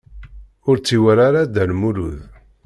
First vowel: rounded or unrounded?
rounded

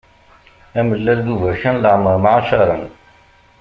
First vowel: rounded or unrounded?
unrounded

